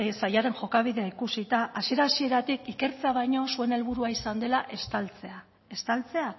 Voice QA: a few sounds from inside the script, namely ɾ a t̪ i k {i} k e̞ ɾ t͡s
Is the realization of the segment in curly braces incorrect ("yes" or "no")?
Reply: no